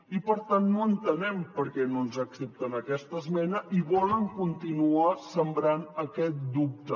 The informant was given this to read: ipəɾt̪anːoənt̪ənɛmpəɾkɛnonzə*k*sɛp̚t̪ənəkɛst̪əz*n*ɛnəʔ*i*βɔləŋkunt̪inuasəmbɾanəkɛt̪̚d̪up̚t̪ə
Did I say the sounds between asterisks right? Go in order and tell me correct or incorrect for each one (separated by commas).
correct, incorrect, correct